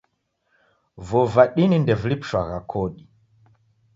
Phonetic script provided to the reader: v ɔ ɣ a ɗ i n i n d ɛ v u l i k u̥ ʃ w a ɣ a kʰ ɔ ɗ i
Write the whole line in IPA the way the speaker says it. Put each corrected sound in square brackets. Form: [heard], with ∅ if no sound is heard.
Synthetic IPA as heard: v ɔ [v] a ɗ i n i n d ɛ v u l i [p] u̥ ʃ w a ɣ a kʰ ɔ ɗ i